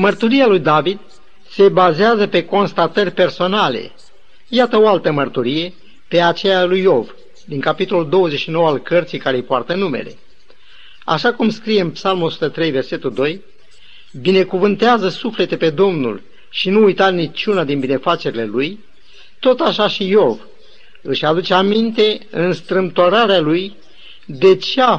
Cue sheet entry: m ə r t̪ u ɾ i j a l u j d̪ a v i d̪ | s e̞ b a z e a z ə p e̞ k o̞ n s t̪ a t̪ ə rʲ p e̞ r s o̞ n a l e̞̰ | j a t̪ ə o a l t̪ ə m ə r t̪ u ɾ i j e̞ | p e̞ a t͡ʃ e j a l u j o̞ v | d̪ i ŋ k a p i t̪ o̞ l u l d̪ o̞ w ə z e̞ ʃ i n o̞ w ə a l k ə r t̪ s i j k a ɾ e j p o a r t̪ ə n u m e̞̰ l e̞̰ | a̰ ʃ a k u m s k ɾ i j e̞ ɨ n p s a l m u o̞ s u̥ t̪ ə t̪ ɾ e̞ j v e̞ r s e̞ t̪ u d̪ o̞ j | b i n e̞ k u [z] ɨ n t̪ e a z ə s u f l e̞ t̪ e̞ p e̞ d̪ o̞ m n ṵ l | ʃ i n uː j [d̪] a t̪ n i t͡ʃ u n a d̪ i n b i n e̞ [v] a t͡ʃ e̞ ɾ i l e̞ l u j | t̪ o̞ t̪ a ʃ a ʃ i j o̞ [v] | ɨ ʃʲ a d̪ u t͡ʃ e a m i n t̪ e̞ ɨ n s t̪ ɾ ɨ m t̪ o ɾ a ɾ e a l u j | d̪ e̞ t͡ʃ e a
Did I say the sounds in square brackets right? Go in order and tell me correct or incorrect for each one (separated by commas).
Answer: incorrect, incorrect, incorrect, correct